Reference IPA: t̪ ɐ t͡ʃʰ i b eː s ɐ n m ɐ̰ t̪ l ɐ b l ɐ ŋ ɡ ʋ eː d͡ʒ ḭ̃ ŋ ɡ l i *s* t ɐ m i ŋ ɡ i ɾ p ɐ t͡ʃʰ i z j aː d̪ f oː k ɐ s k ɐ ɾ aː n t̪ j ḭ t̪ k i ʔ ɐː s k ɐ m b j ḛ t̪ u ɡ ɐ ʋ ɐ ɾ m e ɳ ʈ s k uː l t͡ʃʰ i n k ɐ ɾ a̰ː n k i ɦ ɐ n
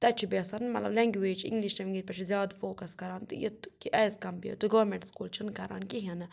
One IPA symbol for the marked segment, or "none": ʃ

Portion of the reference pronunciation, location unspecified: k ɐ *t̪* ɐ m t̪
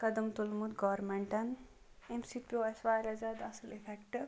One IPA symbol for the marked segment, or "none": d̪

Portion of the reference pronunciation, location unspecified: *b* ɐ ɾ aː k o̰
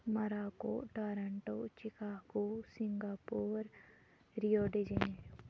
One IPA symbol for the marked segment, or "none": m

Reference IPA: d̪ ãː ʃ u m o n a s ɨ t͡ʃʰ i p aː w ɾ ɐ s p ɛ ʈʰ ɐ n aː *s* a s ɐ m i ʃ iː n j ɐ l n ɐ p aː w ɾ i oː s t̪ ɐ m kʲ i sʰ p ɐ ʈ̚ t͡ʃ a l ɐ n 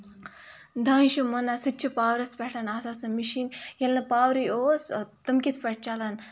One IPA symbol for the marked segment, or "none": s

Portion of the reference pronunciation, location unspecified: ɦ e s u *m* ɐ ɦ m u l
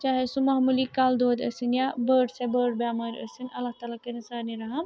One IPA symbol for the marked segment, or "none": m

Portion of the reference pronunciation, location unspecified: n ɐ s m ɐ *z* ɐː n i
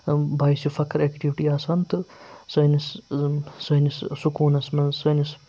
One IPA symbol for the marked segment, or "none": s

